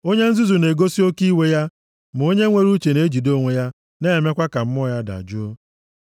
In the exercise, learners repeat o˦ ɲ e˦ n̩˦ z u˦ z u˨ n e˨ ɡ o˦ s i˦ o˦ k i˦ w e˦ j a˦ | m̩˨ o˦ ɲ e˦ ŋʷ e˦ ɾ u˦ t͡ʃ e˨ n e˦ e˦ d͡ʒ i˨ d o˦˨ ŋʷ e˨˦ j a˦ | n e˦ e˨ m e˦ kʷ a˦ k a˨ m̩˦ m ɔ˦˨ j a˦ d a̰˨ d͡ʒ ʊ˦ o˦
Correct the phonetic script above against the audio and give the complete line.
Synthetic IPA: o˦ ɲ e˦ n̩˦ z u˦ z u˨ n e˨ ɡ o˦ s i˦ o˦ k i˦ w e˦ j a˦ | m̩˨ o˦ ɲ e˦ ŋʷ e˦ ɾ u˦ t͡ʃ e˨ n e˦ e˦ d͡ʒ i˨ d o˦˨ ŋʷ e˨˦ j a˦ | n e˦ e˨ m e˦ kʷ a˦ k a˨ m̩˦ m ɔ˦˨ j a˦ d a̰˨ d͡ʒ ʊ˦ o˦